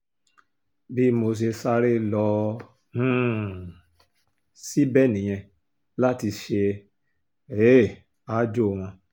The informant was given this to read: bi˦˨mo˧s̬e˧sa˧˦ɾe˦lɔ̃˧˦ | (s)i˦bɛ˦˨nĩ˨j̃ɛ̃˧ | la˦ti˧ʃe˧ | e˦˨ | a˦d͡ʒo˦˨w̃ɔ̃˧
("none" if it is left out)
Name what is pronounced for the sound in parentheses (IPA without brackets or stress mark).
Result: s